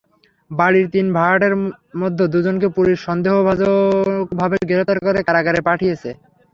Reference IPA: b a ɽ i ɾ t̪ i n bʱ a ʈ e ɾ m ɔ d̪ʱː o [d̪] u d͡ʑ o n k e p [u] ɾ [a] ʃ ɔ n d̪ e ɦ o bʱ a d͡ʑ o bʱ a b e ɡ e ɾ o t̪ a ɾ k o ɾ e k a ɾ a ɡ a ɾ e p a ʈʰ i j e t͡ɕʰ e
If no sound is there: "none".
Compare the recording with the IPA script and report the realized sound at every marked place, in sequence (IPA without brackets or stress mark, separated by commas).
d̪, u, i